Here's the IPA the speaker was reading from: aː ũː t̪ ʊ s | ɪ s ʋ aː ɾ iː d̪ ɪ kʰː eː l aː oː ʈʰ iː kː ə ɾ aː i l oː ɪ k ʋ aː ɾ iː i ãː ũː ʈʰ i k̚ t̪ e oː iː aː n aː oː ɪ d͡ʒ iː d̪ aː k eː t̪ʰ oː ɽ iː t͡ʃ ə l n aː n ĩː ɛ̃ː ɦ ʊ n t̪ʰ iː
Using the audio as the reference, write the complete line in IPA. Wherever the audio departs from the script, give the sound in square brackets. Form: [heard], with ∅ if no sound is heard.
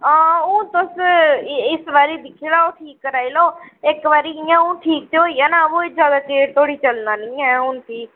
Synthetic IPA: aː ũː t̪ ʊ s | ɪ s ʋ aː ɾ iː d̪ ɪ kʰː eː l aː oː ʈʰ iː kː ə ɾ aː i l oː ɪ k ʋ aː ɾ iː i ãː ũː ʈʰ [iː] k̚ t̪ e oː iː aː n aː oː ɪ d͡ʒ [aː] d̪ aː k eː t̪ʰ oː ɽ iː t͡ʃ ə l n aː n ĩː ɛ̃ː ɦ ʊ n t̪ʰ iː

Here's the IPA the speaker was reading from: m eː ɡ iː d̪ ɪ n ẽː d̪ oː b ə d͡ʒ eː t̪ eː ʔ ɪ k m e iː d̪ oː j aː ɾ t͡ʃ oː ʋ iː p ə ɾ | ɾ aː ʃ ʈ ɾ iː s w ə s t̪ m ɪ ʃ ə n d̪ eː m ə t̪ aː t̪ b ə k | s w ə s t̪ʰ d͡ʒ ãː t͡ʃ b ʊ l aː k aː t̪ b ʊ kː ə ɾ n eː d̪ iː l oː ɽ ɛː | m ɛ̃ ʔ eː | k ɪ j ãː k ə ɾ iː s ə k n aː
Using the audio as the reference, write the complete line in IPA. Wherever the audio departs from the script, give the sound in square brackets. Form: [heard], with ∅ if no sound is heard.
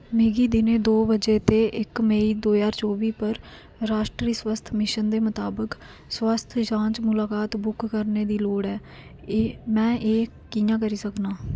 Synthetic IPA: m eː ɡ iː d̪ ɪ n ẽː d̪ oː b ə d͡ʒ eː t̪ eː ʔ ɪ k m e iː d̪ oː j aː ɾ t͡ʃ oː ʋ iː p ə ɾ | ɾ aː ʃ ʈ ɾ iː s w ə s [t̪ʰ] m ɪ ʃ ə n d̪ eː m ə t̪ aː [∅] b ə k | s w ə s t̪ʰ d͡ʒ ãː t͡ʃ [m] ʊ l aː k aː t̪ b ʊ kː ə ɾ n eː d̪ iː l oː ɽ ɛː | m [ɛ̃ː] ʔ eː | k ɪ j ãː k ə ɾ iː s ə k n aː

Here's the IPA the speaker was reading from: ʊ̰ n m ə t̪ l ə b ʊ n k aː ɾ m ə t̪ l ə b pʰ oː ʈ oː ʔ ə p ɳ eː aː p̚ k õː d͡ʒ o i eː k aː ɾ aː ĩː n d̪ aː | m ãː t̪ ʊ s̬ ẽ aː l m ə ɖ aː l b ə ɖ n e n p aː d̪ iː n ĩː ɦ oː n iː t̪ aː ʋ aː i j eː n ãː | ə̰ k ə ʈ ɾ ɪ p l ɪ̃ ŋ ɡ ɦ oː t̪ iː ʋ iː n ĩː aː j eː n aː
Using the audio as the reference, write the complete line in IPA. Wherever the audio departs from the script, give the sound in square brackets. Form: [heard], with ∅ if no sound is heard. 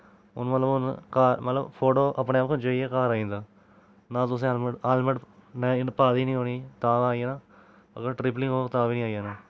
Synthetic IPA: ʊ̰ n m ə t̪ l ə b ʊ n k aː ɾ m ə t̪ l ə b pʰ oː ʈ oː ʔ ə p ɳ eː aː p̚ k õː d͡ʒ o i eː k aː ɾ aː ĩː n d̪ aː | [n] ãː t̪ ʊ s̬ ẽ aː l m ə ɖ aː l [m] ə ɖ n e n p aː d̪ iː n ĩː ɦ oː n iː t̪ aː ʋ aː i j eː n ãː | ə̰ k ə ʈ ɾ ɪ p l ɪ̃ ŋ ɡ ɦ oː t̪ [aː] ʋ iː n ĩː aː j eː n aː

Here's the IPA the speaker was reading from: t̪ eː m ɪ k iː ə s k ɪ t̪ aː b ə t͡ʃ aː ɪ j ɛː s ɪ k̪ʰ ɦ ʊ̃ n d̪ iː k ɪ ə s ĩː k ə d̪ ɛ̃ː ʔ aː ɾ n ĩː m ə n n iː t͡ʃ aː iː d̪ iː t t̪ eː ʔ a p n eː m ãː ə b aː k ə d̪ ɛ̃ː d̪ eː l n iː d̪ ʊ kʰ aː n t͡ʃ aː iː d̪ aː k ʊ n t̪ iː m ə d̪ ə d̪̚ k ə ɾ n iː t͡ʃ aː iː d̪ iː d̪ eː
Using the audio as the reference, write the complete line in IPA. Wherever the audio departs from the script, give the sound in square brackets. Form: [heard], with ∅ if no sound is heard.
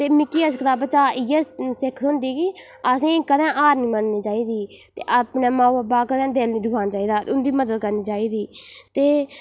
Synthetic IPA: t̪ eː m ɪ k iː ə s k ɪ t̪ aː b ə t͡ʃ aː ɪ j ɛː s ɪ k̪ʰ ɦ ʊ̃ n d̪ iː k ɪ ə s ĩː k ə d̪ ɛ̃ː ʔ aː ɾ n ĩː m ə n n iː t͡ʃ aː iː d̪ iː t t̪ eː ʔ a p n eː m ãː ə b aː k ə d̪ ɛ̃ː d̪ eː l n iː d̪ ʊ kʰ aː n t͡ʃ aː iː d̪ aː [∅] ʊ n [d̪] iː m ə d̪ ə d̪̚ k ə ɾ n iː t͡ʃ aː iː d̪ iː [t̪] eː

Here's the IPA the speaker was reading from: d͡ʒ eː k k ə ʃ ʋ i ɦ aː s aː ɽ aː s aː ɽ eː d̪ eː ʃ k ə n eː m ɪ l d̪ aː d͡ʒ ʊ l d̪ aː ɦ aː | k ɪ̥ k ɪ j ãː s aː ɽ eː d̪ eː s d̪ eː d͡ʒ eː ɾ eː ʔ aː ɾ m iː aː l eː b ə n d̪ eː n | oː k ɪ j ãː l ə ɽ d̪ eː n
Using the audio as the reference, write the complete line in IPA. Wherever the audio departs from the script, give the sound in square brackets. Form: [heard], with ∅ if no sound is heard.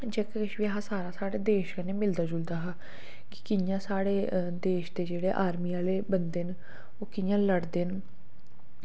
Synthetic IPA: d͡ʒ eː k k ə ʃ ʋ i ɦ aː s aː [ɾ] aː s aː ɽ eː d̪ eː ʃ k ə n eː m ɪ l d̪ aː d͡ʒ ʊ l d̪ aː ɦ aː | k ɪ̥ k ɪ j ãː s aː ɽ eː d̪ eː [ʃ] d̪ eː d͡ʒ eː [ɽ] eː ʔ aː ɾ m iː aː l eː b ə n d̪ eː n | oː k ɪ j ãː l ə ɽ d̪ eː n

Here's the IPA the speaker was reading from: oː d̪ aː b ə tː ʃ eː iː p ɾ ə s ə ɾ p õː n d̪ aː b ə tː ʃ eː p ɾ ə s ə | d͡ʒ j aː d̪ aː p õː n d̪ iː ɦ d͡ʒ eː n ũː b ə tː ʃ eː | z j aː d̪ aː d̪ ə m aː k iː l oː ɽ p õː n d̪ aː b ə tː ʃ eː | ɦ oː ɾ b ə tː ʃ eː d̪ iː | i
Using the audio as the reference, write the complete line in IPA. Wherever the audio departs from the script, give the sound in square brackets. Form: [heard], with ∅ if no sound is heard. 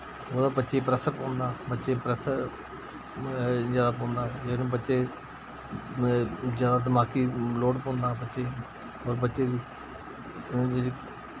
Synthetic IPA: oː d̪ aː b ə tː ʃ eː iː p ɾ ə s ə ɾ p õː n d̪ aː b ə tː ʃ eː p ɾ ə s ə | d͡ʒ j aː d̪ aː p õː n d̪ [aː] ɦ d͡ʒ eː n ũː b ə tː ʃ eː | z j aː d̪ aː d̪ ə m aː k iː l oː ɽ p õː n d̪ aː b ə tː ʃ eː | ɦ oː ɾ b ə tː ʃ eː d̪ iː | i

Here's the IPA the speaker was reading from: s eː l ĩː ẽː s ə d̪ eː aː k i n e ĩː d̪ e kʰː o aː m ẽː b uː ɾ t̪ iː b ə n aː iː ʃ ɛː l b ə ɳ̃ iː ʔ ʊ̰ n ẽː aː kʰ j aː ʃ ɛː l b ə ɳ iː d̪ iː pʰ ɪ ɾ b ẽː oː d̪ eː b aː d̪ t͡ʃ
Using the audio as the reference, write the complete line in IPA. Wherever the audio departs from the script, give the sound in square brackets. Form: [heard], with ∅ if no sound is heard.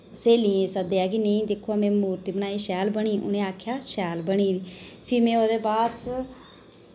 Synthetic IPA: s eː l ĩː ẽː s ə d̪ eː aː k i n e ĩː d̪ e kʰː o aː m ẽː [m] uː ɾ t̪ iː b ə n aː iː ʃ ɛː l b ə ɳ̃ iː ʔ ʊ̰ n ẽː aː kʰ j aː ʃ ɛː l b ə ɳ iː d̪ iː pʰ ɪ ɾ [m] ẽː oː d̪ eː b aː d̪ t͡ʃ

